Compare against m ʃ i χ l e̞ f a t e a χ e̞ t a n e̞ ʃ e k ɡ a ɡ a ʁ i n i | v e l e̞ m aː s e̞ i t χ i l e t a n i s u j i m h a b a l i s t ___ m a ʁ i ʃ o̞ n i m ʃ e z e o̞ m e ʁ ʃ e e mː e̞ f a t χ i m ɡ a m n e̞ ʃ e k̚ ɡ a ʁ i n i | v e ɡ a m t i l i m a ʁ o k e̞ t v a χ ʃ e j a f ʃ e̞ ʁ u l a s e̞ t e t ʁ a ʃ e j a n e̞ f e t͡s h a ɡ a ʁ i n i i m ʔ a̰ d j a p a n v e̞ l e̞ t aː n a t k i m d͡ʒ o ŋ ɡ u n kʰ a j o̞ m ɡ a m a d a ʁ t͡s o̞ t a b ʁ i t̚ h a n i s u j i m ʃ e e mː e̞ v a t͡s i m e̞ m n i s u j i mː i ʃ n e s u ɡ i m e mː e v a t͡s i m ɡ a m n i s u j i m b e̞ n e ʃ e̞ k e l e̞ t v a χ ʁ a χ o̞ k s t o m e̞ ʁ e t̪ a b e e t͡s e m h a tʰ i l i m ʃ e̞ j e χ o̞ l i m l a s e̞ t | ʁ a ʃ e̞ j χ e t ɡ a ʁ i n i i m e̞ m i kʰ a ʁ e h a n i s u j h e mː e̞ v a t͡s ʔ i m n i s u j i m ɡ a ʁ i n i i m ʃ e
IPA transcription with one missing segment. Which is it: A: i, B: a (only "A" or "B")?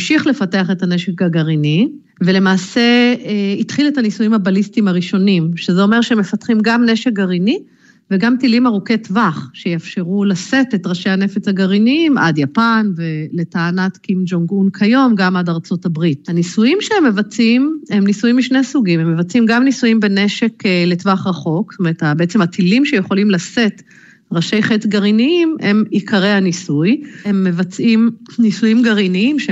A